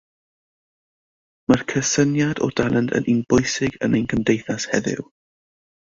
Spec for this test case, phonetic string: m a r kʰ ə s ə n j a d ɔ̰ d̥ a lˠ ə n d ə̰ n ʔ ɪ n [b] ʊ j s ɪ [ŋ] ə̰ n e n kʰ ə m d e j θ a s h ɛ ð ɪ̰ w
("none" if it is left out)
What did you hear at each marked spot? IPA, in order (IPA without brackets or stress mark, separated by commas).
b, ɡ